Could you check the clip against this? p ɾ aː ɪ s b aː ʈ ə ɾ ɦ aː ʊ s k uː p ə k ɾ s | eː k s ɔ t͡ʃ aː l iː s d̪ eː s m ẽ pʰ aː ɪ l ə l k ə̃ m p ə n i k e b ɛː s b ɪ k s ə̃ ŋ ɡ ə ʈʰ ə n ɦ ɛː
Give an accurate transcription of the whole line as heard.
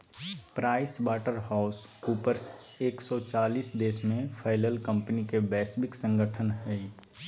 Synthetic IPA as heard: p ɾ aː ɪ s b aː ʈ ə ɾ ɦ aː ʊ s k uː p ə ɾ s | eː k s ɔ t͡ʃ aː l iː s d̪ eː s m ẽ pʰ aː ɪ l ə l k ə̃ m p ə n i k e b ɛː s b ɪ k s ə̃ ŋ ɡ ə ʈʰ ə n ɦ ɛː